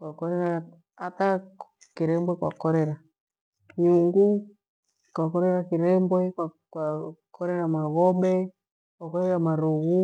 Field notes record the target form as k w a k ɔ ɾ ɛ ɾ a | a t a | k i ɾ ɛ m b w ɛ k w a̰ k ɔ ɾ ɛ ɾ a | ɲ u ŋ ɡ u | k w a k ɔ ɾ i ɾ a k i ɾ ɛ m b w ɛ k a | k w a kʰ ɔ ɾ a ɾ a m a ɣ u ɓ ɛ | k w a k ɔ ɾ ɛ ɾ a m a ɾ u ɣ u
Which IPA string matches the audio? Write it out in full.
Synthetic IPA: k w a k ɔ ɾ ɛ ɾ a | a t a | k i ɾ ɛ m b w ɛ k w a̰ k ɔ ɾ ɛ ɾ a | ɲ u ŋ ɡ u | k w a k ɔ ɾ ɛ ɾ a k i ɾ ɛ m b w ɛ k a | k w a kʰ ɔ ɾ ɛ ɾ a m a ɣ ɔ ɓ ɛ | k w a k ɔ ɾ ɛ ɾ a m a ɾ u ɣ u